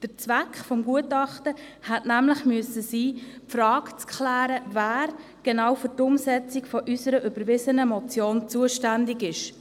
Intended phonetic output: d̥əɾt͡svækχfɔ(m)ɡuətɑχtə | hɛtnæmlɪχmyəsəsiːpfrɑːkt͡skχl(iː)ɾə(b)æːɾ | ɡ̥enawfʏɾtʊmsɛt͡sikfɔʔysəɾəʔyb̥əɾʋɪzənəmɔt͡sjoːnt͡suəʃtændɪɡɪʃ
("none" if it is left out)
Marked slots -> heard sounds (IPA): m, æː, v

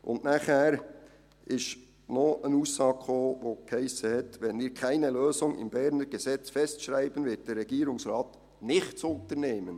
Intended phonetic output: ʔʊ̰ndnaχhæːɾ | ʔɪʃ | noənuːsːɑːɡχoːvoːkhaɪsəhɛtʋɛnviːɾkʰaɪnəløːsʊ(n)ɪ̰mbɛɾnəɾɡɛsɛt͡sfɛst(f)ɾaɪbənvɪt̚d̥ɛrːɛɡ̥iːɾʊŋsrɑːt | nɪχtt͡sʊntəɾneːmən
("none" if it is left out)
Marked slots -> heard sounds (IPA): ŋ, ʃ

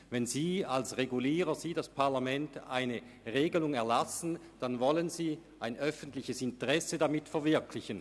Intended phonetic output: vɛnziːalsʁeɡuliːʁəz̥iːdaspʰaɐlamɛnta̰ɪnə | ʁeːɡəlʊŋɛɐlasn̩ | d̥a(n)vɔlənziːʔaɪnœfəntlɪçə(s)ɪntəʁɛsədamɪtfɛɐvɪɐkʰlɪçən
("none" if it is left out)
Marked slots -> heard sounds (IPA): n, s

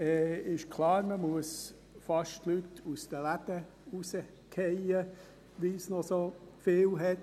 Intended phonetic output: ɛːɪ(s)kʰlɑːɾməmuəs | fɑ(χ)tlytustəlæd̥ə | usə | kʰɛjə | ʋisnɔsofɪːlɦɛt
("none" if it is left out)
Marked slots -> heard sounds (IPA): ʃ, ʃ

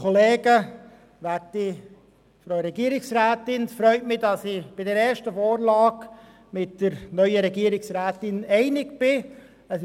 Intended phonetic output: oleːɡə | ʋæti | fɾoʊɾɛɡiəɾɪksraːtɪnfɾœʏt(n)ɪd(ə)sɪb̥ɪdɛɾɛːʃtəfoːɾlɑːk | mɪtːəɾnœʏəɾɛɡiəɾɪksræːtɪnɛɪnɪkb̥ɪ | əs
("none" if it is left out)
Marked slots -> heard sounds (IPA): m, ɑ

